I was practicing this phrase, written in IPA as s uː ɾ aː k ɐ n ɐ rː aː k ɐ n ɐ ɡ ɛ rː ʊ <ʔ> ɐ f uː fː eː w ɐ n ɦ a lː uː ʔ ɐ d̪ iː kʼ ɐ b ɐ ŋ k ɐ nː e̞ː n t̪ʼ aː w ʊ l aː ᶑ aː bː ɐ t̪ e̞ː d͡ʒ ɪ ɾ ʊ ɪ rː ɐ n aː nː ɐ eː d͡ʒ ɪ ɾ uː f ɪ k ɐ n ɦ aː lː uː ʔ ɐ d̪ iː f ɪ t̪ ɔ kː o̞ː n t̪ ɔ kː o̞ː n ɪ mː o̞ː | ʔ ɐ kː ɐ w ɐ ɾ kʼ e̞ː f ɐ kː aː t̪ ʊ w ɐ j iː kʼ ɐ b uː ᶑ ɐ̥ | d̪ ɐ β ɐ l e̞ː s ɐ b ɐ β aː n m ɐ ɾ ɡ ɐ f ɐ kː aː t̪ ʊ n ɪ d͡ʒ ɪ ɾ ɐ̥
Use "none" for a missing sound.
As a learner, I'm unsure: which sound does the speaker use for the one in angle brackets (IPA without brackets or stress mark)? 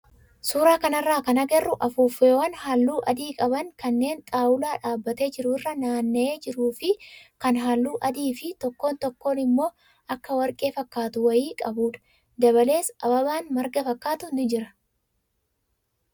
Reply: ʔ